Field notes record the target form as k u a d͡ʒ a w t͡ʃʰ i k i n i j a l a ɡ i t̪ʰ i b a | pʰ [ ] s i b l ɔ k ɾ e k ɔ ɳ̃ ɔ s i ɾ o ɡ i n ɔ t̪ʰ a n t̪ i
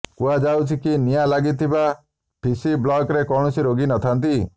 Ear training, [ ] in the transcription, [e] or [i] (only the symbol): i